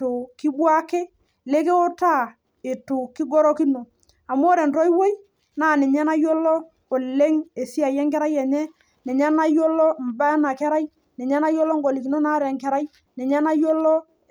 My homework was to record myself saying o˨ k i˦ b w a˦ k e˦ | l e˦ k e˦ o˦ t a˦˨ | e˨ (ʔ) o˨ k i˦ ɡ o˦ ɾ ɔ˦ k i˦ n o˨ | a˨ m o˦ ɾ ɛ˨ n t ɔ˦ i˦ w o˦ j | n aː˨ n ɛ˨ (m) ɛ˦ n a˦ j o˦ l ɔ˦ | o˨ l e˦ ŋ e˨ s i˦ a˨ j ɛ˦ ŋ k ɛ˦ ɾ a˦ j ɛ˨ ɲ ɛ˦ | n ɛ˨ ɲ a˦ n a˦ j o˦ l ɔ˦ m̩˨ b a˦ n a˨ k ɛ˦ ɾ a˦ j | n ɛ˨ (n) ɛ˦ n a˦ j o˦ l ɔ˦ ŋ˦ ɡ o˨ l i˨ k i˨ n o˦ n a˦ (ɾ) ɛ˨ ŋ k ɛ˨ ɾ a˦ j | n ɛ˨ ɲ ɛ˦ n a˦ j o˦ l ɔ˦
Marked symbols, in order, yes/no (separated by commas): no, no, no, yes